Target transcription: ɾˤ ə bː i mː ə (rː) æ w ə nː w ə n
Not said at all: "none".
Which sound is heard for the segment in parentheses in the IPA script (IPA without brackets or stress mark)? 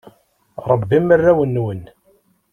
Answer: rː